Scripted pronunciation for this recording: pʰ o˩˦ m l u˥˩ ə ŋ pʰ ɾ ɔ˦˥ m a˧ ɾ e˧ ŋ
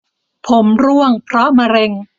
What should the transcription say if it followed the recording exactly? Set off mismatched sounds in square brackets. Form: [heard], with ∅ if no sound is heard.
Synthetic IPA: pʰ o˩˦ m [ɾ] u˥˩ ə ŋ pʰ ɾ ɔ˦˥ m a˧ ɾ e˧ ŋ

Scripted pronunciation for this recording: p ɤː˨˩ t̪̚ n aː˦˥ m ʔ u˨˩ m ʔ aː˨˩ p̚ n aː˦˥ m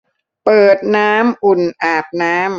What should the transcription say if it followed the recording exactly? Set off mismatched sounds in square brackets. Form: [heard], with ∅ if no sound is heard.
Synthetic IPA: p ɤː˨˩ t̪̚ n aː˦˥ m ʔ u˨˩ [n] ʔ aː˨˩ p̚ n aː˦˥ m

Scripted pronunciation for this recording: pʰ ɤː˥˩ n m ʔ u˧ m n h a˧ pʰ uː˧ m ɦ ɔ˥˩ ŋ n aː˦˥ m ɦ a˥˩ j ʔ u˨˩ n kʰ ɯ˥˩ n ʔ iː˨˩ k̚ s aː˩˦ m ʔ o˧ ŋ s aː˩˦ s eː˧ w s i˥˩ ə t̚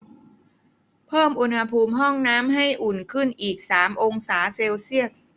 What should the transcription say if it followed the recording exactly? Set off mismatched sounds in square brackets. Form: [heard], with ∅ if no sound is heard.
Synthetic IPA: pʰ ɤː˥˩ [∅] m ʔ u˧ [∅] n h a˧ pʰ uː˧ m ɦ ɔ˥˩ ŋ n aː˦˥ m ɦ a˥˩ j ʔ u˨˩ n kʰ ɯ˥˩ n ʔ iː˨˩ k̚ s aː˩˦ m ʔ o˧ ŋ s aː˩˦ s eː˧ w s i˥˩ ə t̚

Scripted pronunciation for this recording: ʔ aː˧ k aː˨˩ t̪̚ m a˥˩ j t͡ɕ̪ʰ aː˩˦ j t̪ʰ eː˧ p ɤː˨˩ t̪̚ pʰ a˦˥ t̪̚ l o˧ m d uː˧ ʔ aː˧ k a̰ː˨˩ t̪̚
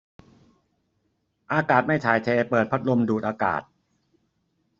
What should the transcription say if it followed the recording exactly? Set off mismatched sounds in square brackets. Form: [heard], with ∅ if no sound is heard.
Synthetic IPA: ʔ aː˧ k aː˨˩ t̪̚ m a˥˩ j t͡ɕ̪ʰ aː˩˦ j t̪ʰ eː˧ p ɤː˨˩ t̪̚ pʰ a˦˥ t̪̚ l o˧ m d [uː˨˩] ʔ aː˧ k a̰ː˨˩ t̪̚

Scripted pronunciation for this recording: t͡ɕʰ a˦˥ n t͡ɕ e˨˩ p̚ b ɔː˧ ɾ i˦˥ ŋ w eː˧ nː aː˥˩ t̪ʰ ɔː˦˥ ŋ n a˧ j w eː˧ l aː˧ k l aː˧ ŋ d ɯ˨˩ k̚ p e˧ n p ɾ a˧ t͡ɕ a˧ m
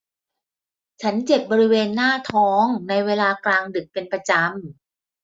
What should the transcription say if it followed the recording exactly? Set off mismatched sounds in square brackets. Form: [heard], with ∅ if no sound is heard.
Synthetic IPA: t͡ɕʰ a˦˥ n t͡ɕ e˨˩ p̚ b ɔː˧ ɾ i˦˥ [∅] w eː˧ nː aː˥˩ t̪ʰ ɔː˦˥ ŋ n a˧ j w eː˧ l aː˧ k l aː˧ ŋ d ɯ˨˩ k̚ p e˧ n p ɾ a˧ t͡ɕ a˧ m

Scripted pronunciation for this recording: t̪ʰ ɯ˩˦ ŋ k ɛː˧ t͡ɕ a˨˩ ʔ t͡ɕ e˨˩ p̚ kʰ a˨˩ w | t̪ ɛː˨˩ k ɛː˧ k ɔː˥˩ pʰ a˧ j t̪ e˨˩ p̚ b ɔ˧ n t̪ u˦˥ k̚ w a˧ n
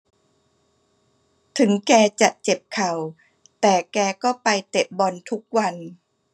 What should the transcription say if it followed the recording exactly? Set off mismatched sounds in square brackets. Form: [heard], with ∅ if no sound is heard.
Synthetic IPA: t̪ʰ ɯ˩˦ ŋ k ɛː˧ t͡ɕ a˨˩ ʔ t͡ɕ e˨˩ p̚ kʰ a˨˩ w | t̪ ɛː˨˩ k ɛː˧ k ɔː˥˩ [p] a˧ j t̪ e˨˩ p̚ b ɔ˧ n [t̪ʰ] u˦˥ k̚ w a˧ n

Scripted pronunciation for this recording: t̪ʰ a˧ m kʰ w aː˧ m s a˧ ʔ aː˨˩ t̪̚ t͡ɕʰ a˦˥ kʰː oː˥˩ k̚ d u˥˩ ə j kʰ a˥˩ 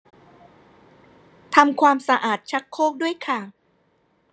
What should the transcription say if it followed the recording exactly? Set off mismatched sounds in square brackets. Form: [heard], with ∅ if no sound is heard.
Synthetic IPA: t̪ʰ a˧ m kʰ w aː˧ m s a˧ ʔ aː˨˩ t̪̚ t͡ɕʰ a˦˥ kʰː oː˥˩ k̚ d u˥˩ ə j kʰ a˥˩

